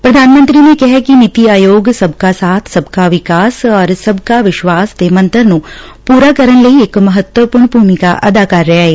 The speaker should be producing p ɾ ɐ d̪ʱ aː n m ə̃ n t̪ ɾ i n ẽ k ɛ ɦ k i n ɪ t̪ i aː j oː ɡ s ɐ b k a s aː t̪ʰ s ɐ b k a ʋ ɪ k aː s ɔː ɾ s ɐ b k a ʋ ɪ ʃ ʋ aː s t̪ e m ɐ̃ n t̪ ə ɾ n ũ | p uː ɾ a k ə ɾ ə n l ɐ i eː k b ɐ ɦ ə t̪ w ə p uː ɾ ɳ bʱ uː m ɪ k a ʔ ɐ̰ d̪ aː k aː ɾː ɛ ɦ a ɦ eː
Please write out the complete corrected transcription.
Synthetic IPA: p ɾ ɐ d̪ʱ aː n m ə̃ n t̪ ɾ i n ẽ k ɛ ɦ k i n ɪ t̪ i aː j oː ɡ s ɐ b k a s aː t̪ʰ s ɐ b k a ʋ ɪ k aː s ɔː ɾ s ɐ b k a ʋ ɪ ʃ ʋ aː s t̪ e m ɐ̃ n t̪ ə ɾ n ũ | p uː ɾ a k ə ɾ ə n l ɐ i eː k m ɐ ɦ ə t̪ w ə p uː ɾ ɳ bʱ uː m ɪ k a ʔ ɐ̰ d̪ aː k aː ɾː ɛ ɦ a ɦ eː